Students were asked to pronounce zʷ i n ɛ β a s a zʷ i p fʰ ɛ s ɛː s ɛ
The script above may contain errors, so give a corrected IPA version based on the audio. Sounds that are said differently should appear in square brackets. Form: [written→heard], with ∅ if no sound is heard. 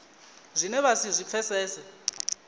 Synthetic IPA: zʷ i n ɛ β a s [a→i] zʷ i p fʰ ɛ s ɛː s ɛ